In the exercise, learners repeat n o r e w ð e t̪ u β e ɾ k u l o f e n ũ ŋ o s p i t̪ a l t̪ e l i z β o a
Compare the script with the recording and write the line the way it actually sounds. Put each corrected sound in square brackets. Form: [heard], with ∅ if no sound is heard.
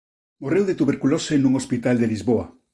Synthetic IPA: [m] o r e w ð e t̪ u β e ɾ k u l o [s] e n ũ ŋ o s p i t̪ a l [d̪] e l i z β o a

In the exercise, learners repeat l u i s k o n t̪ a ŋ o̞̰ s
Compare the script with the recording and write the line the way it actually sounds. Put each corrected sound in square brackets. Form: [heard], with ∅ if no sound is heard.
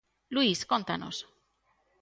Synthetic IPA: l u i s k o n t̪ a [n] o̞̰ s

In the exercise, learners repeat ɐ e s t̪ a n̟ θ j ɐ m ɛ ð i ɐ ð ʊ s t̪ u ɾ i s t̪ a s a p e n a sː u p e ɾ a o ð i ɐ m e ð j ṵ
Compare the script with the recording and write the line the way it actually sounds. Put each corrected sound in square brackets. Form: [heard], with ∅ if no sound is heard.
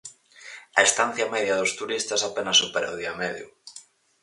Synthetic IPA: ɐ e s t̪ a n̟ θ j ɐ m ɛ ð [j] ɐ ð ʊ s t̪ u ɾ i s t̪ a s a p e n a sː u p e ɾ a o ð i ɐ m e ð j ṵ

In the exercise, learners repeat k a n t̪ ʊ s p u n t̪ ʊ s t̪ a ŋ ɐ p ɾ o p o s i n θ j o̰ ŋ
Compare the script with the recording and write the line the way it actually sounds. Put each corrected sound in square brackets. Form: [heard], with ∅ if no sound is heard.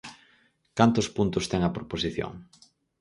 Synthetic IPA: k a n t̪ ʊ s p u n t̪ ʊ s t̪ [ɛ] ŋ ɐ p ɾ o p o s i [∅] θ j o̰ ŋ

